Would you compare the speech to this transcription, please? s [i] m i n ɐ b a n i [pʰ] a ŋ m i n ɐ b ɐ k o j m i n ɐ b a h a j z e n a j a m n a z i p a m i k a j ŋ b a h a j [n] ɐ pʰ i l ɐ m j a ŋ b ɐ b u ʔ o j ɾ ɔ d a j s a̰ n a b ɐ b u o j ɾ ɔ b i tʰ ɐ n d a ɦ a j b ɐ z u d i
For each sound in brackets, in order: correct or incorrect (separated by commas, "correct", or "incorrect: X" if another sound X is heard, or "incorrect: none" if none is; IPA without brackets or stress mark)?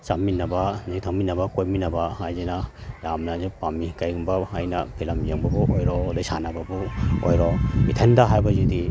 incorrect: a, incorrect: tʰ, correct